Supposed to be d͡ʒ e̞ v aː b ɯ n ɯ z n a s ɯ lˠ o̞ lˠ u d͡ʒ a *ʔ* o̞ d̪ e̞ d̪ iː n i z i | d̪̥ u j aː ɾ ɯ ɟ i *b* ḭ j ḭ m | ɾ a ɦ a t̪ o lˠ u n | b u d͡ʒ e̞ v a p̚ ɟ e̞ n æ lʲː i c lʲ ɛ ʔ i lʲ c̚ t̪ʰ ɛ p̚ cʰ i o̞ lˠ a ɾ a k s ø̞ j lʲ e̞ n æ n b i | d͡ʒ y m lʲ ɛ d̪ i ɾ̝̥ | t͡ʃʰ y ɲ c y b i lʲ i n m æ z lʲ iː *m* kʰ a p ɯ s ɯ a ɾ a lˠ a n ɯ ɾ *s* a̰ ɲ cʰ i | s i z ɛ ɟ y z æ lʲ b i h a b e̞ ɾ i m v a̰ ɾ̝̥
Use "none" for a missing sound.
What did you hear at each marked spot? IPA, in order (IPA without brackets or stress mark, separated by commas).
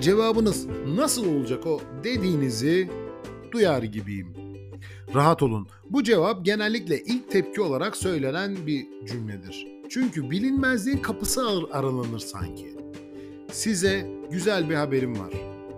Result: k, b, n, s